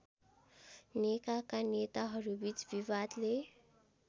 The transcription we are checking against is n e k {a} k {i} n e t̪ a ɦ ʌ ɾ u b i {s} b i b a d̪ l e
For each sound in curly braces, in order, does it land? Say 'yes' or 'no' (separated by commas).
yes, no, no